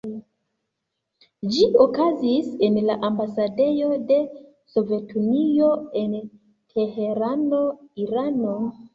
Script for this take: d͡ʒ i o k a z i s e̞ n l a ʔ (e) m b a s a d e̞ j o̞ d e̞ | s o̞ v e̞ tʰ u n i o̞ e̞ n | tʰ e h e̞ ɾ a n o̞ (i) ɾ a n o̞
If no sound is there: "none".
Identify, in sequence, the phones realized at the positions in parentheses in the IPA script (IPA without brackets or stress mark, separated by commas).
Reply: a, i